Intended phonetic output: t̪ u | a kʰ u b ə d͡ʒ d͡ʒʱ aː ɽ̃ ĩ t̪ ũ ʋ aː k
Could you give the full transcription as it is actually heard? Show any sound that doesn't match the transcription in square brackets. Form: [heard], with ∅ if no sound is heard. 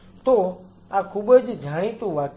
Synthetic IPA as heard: t̪ [o] | a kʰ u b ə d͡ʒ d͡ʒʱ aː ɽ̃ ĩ t̪ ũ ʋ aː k